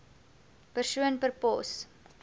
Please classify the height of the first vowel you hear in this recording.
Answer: mid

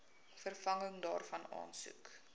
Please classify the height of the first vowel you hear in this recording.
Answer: mid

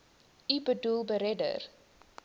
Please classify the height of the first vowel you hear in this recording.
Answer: high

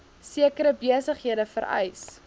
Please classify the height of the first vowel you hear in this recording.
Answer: high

